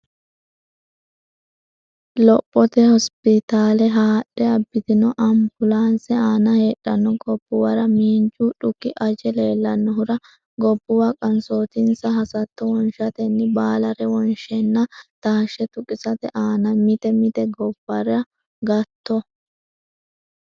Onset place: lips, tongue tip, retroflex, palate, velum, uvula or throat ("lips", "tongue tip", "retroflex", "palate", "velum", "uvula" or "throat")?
tongue tip